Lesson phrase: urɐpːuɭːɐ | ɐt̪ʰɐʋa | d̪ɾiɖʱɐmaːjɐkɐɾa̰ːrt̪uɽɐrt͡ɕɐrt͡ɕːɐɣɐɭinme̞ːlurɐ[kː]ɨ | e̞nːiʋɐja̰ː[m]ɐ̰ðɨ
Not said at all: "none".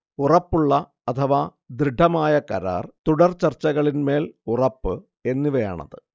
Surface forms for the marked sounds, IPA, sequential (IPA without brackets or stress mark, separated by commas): pː, ɳ